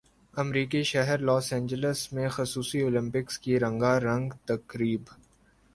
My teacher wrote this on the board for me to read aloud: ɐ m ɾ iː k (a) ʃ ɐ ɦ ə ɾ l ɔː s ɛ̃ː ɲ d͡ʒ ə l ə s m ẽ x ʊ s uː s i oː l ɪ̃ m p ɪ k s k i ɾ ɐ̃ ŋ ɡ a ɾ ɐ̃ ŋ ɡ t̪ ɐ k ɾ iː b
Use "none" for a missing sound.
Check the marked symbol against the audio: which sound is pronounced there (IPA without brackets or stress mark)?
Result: i